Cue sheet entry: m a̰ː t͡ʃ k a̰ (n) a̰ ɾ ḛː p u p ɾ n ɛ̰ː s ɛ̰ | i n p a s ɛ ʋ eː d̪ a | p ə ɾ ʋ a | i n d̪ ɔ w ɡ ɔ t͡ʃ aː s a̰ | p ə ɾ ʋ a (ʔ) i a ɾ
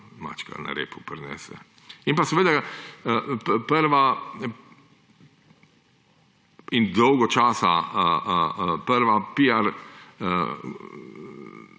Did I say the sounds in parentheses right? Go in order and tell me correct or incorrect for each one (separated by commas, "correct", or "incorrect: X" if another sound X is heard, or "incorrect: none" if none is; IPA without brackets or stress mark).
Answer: correct, incorrect: p